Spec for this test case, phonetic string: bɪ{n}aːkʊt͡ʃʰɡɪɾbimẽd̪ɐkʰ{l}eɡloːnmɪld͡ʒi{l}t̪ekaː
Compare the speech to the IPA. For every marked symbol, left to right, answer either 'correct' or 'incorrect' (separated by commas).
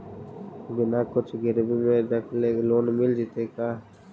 correct, correct, incorrect